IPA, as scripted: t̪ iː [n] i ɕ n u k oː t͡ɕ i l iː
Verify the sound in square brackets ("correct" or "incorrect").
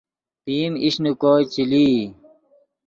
incorrect